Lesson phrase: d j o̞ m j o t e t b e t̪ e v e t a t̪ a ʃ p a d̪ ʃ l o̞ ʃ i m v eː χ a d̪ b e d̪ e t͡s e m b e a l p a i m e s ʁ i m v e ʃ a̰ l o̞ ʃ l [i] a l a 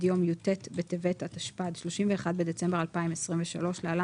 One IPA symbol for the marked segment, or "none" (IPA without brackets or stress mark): e